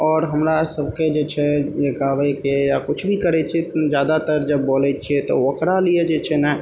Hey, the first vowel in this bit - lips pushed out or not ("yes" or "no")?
yes